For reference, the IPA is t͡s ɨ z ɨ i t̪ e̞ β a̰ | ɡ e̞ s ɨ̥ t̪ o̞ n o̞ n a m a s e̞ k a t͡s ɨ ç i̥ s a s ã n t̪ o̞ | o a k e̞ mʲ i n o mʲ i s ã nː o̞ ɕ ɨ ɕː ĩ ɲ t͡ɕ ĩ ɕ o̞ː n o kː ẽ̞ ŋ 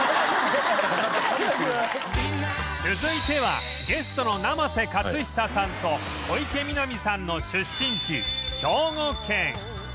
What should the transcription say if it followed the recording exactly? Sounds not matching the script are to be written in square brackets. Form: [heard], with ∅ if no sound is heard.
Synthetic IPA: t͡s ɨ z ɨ i t̪ e̞ β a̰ | ɡ e̞ s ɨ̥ t̪ o̞ n o̞ n a m a s e̞ k a t͡s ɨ ç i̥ s a s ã n t̪ o̞ | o [i] k e̞ mʲ i n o mʲ i s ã nː o̞ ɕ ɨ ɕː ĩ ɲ t͡ɕ [i] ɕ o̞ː [ŋ] o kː ẽ̞ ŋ